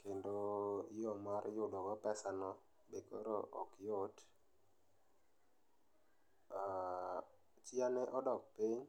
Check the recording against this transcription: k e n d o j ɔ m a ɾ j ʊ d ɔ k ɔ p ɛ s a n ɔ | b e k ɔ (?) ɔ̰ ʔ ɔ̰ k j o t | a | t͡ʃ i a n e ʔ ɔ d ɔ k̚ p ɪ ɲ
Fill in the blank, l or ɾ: ɾ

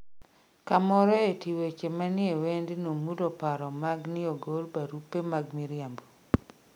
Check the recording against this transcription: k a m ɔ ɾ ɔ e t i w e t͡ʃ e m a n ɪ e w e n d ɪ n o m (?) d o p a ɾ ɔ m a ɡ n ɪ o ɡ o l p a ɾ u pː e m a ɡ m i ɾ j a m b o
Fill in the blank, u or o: u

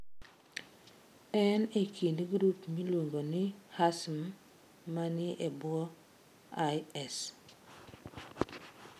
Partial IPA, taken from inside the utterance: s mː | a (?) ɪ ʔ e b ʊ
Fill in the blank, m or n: n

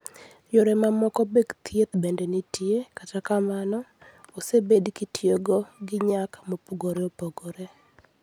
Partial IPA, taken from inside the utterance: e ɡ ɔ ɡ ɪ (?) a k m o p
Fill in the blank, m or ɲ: ɲ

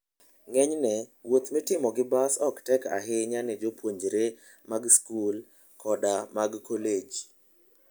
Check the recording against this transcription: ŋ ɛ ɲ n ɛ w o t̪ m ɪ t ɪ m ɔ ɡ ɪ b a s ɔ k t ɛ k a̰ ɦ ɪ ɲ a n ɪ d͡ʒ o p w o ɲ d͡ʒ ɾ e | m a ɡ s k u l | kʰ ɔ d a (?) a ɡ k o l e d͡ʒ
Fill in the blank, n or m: m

